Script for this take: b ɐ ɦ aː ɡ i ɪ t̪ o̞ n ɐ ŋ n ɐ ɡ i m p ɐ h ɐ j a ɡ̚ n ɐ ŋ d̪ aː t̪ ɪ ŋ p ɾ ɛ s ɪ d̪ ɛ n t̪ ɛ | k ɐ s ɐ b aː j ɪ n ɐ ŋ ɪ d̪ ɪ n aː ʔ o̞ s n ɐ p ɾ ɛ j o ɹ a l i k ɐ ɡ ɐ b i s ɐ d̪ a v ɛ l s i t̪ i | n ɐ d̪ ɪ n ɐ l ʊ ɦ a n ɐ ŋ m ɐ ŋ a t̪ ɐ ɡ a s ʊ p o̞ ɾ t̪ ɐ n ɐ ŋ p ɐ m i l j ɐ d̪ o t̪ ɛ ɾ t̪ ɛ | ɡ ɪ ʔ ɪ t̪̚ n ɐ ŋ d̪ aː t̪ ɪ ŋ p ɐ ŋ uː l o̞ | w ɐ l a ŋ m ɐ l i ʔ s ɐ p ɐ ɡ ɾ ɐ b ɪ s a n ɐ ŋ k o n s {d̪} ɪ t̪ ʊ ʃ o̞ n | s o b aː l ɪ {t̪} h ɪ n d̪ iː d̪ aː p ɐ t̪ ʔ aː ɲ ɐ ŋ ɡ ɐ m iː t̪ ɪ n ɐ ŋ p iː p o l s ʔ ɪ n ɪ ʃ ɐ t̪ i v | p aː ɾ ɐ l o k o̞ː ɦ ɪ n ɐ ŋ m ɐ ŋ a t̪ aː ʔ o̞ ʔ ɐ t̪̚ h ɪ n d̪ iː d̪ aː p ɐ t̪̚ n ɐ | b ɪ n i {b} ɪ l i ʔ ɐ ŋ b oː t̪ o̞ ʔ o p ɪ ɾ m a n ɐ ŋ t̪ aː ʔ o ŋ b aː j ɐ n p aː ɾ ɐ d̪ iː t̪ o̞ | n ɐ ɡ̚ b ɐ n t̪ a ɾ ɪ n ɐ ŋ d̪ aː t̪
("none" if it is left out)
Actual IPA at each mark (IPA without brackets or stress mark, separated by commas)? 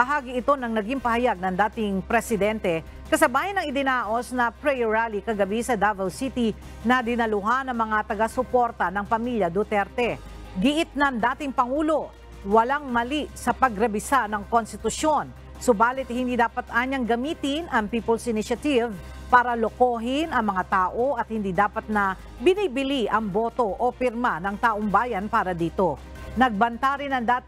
t̪, t̪, b